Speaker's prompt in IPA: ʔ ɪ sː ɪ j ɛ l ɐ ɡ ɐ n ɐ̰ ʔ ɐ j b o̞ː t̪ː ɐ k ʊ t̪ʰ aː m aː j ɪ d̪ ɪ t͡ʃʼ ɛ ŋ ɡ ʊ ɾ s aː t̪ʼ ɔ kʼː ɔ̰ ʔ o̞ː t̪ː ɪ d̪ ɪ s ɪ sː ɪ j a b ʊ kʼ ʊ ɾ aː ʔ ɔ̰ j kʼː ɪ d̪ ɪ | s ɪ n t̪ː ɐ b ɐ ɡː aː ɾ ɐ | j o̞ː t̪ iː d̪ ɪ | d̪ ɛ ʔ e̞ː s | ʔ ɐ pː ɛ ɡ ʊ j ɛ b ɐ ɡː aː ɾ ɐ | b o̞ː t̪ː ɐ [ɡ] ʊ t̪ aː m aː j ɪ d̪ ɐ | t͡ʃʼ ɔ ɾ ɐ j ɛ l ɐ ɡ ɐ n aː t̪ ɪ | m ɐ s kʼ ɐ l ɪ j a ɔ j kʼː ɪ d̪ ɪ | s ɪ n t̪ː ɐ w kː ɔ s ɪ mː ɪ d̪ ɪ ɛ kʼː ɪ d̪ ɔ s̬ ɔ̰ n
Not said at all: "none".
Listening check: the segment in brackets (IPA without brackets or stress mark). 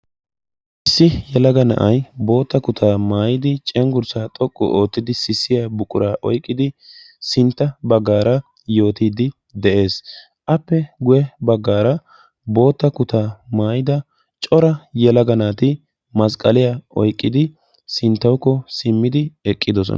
k